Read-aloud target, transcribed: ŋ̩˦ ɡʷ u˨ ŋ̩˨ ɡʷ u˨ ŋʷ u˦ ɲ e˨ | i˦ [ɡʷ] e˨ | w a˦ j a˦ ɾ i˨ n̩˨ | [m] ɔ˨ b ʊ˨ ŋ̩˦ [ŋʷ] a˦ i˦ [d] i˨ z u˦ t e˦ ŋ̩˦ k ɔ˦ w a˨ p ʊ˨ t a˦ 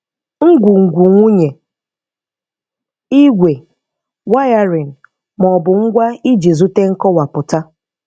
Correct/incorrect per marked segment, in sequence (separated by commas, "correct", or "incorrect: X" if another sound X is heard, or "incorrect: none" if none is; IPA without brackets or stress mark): correct, correct, incorrect: ɡʷ, incorrect: d͡ʒ